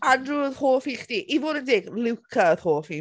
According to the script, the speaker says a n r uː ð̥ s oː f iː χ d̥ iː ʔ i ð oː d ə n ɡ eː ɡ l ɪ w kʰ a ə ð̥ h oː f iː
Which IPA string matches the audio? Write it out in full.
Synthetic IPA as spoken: a n r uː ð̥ h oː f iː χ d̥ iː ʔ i v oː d ə n d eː ɡ l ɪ w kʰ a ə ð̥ h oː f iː